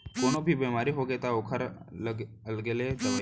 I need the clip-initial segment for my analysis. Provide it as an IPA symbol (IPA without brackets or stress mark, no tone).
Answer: k